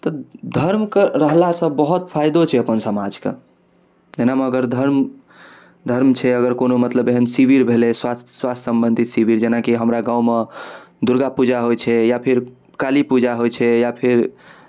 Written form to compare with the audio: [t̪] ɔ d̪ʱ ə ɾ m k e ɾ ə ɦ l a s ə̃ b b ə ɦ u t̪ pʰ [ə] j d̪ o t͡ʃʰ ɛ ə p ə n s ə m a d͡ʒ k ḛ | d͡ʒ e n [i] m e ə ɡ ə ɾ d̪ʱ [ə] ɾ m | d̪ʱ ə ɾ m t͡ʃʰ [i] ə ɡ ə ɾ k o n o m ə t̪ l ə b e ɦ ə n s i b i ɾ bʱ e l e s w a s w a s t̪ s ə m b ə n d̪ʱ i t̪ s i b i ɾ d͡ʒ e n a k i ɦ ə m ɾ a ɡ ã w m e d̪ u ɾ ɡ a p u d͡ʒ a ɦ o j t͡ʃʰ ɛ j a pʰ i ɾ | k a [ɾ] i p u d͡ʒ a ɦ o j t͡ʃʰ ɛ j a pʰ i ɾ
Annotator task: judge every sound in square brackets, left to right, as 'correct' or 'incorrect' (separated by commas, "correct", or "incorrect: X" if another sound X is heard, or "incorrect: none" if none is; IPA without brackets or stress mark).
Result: correct, incorrect: a, incorrect: a, correct, incorrect: ɛ, incorrect: l